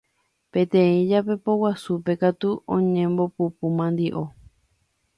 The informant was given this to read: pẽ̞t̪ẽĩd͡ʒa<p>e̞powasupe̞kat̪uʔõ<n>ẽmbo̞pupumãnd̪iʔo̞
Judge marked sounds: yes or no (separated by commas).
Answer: yes, no